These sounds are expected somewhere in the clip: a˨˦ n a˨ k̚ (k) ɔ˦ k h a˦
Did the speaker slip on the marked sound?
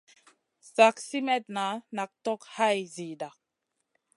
yes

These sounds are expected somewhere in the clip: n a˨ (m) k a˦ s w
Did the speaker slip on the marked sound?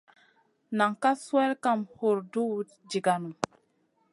yes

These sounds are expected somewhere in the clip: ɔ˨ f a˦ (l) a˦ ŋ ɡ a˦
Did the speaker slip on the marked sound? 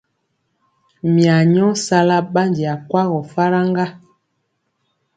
yes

